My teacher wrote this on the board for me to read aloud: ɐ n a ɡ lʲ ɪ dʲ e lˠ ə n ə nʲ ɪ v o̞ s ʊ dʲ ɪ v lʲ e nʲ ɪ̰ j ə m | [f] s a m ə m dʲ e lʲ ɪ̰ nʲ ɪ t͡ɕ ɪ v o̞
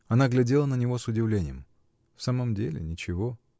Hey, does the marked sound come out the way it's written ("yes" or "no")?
yes